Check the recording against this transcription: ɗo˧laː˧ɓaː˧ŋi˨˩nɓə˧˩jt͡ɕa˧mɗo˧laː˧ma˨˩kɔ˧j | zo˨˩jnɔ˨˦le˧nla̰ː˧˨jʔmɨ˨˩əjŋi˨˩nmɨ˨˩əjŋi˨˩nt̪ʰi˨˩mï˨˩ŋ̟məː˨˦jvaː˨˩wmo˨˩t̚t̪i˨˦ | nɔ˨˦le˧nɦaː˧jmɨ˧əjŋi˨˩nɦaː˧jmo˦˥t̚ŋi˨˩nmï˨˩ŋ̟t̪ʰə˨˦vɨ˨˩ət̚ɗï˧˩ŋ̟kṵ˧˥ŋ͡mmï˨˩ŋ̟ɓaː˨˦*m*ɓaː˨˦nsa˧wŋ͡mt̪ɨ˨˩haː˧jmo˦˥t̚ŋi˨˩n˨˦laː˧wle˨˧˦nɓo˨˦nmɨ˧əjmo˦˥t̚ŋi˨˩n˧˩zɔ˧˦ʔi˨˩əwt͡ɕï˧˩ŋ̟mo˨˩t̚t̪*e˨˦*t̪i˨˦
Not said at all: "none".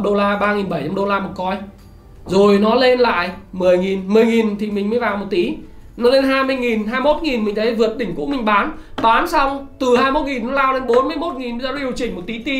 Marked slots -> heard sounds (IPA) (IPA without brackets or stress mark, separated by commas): n, i˨˦